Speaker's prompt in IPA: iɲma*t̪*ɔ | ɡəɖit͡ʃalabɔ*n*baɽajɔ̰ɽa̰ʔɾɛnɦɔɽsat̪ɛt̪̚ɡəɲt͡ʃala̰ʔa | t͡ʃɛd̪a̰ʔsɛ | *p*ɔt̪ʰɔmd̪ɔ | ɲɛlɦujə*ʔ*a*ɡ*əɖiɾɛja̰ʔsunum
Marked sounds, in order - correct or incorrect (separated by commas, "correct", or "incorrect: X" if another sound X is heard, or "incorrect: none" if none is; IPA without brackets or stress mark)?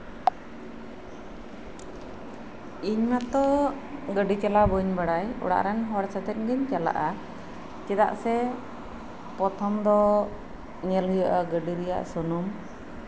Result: correct, incorrect: ɲ, correct, correct, correct